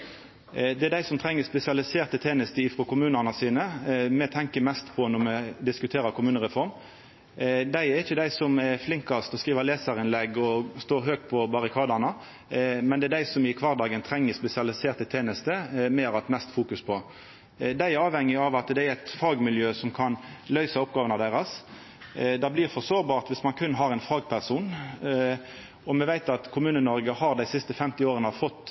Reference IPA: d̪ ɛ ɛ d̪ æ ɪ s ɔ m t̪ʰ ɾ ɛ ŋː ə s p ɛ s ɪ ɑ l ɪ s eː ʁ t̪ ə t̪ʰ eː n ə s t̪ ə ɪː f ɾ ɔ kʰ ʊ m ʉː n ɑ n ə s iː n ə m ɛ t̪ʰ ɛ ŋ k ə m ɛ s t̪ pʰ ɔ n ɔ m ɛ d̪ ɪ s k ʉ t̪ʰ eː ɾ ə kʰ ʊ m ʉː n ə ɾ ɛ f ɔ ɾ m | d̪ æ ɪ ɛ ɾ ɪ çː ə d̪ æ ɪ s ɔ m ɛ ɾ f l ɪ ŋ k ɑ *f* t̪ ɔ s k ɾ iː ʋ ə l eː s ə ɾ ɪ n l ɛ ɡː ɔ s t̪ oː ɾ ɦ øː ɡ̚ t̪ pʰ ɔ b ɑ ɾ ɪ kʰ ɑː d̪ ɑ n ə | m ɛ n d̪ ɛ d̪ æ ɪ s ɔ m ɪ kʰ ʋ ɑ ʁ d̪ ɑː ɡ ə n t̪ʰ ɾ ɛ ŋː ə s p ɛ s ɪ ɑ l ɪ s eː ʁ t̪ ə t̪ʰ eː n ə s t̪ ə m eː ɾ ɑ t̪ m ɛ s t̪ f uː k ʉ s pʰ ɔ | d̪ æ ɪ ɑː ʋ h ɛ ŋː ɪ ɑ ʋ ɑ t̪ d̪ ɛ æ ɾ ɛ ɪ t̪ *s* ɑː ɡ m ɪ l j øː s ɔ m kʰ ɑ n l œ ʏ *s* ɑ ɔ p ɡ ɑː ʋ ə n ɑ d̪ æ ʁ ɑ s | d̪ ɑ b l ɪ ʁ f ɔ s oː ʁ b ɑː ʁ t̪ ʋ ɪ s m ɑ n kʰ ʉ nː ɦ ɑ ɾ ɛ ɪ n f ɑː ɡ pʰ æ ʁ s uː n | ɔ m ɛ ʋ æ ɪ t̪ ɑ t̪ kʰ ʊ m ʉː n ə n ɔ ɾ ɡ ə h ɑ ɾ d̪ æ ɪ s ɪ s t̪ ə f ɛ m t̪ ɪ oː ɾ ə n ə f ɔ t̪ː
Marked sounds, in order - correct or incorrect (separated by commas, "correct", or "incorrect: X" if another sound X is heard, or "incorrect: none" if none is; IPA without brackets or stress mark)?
incorrect: s, incorrect: f, correct